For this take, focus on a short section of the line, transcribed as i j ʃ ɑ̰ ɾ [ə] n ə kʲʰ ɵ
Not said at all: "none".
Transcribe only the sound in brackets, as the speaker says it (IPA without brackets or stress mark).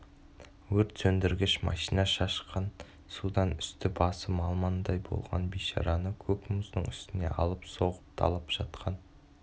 ɑ